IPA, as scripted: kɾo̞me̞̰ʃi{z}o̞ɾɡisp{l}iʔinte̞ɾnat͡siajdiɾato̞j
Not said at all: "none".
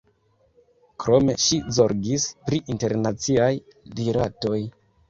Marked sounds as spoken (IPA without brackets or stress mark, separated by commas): z, ɾ